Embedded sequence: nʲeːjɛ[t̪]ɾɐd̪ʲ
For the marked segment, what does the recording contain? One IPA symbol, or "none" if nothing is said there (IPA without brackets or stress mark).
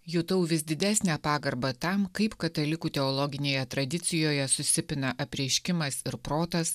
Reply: t̪